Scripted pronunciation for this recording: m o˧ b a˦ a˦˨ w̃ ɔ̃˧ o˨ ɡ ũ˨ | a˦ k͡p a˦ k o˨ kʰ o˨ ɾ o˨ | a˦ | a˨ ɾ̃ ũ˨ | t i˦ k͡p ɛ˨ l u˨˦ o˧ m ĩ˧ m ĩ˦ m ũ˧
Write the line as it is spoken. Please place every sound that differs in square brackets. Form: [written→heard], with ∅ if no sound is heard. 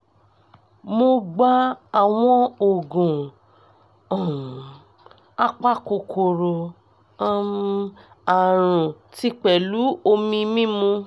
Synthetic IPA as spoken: m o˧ [b→ɡ͡b] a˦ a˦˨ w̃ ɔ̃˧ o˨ ɡ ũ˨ | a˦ k͡p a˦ k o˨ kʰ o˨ ɾ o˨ | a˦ | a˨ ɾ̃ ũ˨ | t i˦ k͡p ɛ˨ l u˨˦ o˧ m ĩ˧ m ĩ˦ m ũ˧

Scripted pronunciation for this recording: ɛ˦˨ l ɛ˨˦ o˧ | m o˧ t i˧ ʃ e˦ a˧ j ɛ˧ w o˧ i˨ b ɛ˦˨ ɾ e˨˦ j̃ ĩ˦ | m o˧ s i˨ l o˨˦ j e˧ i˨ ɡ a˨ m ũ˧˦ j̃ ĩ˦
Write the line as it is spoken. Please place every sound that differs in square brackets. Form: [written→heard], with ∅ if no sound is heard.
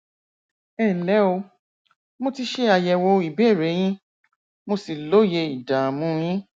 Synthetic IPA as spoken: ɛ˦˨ l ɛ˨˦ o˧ | m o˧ t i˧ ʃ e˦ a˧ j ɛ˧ w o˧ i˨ b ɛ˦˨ ɾ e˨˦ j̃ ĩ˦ | m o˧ s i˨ l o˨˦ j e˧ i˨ [ɡ→d] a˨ m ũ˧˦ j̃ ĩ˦

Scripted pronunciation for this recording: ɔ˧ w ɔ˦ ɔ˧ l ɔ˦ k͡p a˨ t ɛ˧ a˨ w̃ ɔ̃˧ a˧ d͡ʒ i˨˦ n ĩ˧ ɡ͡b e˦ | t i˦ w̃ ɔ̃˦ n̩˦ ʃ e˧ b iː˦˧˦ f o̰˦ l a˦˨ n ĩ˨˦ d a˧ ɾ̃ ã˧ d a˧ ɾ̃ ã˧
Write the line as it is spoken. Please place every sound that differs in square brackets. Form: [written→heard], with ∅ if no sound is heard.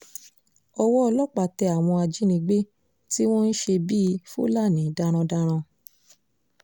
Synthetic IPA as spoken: ɔ˧ w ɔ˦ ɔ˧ l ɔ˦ k͡p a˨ t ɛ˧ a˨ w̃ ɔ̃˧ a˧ d͡ʒ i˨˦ n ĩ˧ ɡ͡b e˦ | t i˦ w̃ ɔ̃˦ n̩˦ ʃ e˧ b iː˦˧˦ f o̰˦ l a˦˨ n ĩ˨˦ d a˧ ɾ̃ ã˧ d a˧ ɾ̃ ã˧

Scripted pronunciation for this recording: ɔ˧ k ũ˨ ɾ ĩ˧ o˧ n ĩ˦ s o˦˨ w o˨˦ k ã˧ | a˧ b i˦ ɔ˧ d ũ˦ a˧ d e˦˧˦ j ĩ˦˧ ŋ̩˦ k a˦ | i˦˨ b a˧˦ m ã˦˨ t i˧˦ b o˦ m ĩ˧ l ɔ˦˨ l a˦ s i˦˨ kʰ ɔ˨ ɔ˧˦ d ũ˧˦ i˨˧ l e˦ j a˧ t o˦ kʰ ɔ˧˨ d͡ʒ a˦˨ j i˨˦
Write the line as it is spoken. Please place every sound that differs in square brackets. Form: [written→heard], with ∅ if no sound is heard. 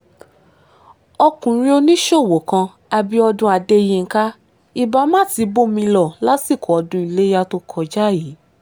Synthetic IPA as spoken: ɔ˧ k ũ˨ ɾ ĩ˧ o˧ n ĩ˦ [s→ʃ] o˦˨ w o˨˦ k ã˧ | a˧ b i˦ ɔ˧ d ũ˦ a˧ d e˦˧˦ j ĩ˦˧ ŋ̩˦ k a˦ | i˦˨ b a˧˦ m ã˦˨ t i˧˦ b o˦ m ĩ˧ l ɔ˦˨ l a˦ s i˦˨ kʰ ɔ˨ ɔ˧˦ d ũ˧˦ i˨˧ l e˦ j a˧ t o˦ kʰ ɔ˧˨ d͡ʒ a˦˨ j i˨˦

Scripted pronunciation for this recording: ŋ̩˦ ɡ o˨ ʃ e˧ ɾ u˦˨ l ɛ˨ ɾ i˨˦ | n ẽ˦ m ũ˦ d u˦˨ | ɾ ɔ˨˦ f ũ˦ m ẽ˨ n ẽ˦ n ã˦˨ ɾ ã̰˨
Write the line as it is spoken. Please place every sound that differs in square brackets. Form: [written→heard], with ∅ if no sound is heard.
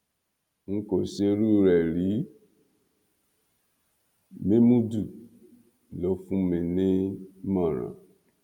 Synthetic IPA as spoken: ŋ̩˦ [ɡ→k] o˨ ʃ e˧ ɾ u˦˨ [l→ɾ] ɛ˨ ɾ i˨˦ | [n→m] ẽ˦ m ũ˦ d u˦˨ | [ɾ→l] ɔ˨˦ f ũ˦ m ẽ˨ n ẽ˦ [n→m] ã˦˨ ɾ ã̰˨

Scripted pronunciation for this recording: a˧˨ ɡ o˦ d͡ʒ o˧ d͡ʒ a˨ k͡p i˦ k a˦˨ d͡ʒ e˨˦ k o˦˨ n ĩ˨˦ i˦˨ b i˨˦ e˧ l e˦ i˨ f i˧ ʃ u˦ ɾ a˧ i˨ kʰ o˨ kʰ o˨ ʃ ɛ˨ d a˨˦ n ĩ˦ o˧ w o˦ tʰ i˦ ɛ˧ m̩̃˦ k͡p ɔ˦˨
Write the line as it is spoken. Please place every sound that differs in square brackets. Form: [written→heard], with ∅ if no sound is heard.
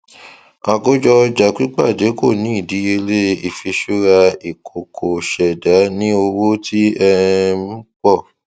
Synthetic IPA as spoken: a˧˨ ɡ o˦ d͡ʒ [o˧→ɔ˧] d͡ʒ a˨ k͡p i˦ [k→k͡p] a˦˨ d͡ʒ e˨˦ k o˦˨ n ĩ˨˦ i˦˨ [b→d] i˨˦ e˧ l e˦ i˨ f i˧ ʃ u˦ ɾ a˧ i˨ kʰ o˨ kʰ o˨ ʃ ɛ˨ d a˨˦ n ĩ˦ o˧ w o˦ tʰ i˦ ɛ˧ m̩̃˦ k͡p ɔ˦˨

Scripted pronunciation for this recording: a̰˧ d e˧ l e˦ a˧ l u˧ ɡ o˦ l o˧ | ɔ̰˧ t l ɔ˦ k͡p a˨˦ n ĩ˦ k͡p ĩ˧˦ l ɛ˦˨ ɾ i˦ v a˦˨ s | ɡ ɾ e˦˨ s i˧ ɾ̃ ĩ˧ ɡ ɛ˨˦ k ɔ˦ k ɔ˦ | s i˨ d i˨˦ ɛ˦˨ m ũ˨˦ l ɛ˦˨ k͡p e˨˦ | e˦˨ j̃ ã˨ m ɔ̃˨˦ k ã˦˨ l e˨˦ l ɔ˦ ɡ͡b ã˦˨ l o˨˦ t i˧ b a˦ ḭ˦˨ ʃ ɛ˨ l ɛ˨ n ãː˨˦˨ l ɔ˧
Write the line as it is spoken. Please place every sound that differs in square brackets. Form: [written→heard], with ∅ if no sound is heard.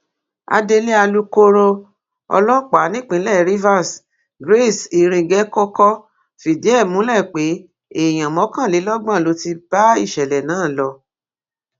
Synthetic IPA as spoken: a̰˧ d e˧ l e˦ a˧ l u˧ [ɡ→k] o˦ [l→ɾ] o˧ | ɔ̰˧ [t→∅] l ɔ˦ k͡p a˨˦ n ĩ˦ k͡p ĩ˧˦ l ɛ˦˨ ɾ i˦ v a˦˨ s | ɡ ɾ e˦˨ s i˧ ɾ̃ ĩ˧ ɡ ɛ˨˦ k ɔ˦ k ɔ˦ | [s→f] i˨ d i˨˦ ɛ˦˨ m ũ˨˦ l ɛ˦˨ k͡p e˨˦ | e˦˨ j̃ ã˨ m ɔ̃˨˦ k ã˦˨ l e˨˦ l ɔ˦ ɡ͡b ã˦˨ l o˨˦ t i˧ b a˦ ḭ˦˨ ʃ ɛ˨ l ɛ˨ n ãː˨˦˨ l ɔ˧

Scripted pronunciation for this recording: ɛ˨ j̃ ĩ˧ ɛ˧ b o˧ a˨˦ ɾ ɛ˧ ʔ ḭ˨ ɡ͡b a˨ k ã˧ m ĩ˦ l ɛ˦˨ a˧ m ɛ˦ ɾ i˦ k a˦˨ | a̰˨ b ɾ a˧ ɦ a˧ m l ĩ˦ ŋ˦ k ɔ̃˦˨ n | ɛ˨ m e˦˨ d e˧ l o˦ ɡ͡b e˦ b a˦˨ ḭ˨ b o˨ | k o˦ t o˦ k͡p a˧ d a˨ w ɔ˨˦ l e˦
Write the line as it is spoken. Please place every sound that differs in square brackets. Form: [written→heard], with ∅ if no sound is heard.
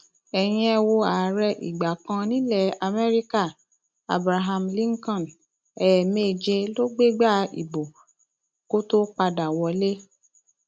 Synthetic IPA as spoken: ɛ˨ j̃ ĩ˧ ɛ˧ [b→w] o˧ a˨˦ ɾ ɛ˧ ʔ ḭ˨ ɡ͡b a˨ k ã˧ [m→n] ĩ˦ l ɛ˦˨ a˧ m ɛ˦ ɾ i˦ k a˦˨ | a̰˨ b ɾ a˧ ɦ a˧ m l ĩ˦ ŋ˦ k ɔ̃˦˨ n | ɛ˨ m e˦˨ [d→d͡ʒ] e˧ l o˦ ɡ͡b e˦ [b→ɡ͡b] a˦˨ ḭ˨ b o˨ | k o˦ t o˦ k͡p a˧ d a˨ w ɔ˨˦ l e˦

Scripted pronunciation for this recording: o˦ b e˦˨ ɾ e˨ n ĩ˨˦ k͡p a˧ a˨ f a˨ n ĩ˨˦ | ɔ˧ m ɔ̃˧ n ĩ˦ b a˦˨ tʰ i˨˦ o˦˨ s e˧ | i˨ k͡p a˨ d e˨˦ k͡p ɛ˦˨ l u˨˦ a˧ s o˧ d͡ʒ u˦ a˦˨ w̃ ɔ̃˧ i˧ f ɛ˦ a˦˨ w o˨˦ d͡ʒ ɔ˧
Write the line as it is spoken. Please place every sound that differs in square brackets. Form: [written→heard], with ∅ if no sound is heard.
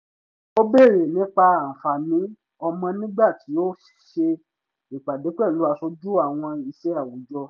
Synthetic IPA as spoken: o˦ b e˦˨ ɾ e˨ n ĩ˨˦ k͡p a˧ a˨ f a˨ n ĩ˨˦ | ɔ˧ m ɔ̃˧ n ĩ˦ [b→ɡ͡b] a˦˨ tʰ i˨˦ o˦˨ [s→ʃ] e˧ | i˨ k͡p a˨ d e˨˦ k͡p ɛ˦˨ l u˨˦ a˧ s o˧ d͡ʒ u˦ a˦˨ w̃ ɔ̃˧ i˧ [f→ʃ] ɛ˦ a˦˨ w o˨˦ d͡ʒ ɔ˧

